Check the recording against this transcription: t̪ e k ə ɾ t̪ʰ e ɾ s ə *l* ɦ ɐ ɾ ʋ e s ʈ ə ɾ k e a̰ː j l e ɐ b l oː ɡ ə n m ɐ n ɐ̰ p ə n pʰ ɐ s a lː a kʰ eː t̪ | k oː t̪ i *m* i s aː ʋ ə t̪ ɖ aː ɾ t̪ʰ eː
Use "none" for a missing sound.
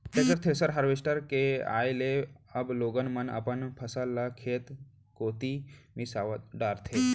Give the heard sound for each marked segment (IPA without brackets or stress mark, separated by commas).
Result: ɾ, m